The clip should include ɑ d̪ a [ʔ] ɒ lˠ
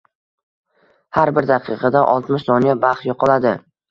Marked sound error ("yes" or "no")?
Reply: no